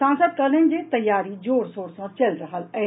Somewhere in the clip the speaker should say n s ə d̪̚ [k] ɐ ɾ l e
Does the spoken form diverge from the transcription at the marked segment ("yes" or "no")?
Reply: no